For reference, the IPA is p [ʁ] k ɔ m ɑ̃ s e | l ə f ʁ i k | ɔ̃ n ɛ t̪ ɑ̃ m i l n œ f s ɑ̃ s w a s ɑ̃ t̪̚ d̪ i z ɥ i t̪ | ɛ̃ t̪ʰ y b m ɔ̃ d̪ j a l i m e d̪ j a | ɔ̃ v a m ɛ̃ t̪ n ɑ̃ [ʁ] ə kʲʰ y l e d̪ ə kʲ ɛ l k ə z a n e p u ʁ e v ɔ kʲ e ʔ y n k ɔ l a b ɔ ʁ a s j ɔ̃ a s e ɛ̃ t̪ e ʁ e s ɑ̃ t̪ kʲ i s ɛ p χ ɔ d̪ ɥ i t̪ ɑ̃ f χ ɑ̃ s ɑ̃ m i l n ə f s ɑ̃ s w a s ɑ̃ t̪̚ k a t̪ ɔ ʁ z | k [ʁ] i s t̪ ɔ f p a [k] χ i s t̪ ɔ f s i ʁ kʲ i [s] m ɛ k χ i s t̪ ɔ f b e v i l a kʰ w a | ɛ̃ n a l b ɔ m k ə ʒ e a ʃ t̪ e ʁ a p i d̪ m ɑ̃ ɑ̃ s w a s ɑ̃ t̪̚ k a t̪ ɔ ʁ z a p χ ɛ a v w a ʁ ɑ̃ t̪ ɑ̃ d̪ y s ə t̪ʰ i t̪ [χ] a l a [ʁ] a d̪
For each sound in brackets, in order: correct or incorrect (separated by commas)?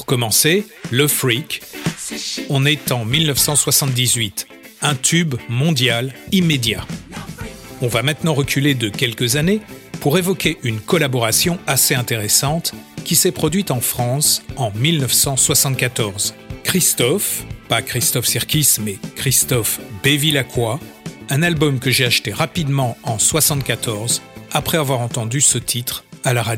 correct, correct, incorrect, correct, correct, correct, correct